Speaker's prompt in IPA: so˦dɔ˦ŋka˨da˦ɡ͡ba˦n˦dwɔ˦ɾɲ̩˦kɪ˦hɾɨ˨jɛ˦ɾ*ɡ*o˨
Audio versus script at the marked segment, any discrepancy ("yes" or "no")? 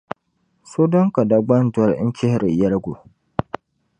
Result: no